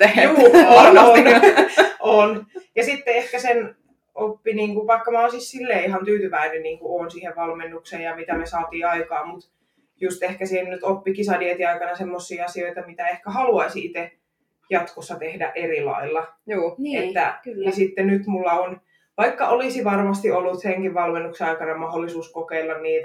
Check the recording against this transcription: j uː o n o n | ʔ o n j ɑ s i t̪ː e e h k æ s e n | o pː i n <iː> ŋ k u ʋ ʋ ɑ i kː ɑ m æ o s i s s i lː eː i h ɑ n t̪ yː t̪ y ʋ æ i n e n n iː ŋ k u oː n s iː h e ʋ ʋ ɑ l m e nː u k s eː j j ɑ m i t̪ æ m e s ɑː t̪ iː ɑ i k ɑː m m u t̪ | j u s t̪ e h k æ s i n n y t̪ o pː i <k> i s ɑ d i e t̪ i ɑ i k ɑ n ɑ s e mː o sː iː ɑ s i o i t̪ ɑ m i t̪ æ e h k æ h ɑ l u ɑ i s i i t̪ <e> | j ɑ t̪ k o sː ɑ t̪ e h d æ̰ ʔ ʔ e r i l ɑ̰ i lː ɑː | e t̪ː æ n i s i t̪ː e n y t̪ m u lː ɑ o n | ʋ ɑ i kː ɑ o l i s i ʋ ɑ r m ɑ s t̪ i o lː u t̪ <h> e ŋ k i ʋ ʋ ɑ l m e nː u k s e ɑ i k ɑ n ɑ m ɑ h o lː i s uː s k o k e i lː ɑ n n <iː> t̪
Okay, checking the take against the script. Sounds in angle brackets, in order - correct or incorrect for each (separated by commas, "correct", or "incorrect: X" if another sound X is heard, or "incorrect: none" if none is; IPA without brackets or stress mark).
correct, correct, correct, incorrect: s, correct